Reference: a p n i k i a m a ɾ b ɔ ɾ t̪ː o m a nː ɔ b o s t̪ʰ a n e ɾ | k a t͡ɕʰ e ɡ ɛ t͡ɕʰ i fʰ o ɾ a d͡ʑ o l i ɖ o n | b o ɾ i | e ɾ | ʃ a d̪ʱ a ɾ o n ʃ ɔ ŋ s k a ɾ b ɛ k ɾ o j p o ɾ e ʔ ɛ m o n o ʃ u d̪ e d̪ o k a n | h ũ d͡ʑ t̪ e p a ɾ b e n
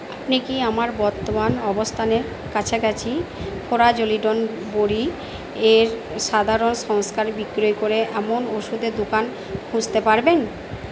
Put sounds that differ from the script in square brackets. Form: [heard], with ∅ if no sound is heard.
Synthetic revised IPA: a p n i k i a m a ɾ b ɔ ɾ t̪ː o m a [n] ɔ b o s t̪ʰ a n e ɾ | k a t͡ɕʰ e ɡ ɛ t͡ɕʰ i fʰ o ɾ a d͡ʑ o l i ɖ o n | b o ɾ i | e ɾ | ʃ a d̪ʱ a ɾ o n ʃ ɔ ŋ s k a ɾ b [i] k ɾ o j [k] o ɾ e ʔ ɛ m o n o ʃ u d̪ e d̪ o k a n | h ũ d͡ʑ t̪ e p a ɾ b e n